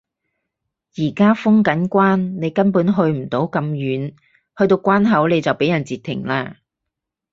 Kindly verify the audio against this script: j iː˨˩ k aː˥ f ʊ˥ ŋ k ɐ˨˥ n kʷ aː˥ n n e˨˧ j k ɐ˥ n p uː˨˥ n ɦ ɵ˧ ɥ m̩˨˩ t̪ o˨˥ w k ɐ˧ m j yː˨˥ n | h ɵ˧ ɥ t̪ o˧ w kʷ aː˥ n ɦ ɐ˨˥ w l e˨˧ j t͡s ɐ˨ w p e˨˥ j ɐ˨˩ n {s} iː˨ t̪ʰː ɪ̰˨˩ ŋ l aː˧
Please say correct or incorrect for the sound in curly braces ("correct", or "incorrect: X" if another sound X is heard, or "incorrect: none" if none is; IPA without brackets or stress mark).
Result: incorrect: t͡s